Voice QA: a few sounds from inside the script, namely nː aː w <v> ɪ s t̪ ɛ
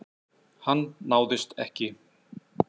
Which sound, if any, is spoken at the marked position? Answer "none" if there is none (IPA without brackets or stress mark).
ð